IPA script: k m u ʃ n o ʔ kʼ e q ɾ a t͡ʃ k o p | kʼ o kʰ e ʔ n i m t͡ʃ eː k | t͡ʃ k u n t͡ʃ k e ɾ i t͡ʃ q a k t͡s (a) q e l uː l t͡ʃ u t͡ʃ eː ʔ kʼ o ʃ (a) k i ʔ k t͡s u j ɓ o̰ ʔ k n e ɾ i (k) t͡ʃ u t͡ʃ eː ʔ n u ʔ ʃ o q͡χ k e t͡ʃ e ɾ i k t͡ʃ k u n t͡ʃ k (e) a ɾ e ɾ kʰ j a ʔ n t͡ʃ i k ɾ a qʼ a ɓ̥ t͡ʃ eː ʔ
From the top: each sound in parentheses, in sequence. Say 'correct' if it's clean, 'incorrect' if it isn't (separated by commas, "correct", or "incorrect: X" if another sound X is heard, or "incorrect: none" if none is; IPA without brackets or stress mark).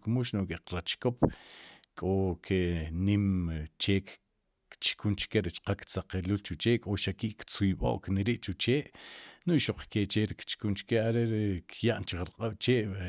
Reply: correct, correct, incorrect: ʔ, correct